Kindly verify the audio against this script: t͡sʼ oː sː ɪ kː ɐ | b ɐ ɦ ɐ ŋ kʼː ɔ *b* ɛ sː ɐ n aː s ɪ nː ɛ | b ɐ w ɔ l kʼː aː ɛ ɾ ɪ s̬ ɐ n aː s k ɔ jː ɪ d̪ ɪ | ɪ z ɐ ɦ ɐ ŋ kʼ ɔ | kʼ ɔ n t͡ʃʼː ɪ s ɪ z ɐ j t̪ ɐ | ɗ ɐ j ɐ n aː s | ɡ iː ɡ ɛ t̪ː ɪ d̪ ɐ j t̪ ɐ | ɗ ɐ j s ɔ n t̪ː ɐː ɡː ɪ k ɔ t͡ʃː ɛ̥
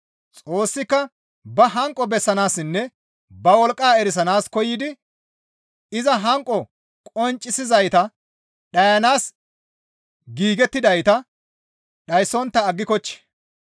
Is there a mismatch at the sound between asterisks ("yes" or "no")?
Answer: no